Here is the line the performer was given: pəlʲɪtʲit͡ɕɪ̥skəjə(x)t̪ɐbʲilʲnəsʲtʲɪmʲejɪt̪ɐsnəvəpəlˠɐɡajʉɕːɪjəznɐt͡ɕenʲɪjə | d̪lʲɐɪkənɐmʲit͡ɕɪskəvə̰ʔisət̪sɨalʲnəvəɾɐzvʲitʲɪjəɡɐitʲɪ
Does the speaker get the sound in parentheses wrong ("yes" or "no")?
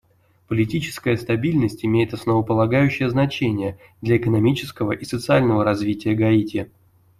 yes